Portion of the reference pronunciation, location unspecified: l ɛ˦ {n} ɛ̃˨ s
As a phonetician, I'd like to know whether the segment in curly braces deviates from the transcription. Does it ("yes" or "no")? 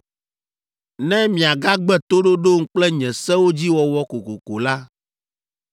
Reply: yes